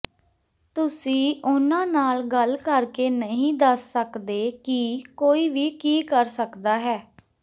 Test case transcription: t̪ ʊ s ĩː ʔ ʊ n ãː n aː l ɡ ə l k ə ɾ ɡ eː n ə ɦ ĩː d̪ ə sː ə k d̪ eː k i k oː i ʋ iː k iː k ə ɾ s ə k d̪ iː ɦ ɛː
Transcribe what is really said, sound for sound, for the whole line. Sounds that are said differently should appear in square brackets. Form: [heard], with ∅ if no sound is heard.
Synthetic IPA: t̪ ʊ s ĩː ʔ ʊ n ãː n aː l ɡ ə l k ə ɾ [k] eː n ə ɦ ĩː d̪ ə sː ə k d̪ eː k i k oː [iː] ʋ iː k iː k ə ɾ s ə k d̪ [aː] ɦ ɛː